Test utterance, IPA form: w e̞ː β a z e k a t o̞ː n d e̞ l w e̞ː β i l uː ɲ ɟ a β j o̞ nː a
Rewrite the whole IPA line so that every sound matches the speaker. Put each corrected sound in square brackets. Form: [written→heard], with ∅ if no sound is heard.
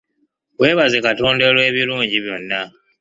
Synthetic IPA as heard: w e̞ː β a z e k a t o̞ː n d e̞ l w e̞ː β i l uː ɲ ɟ [a→i] β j o̞ nː a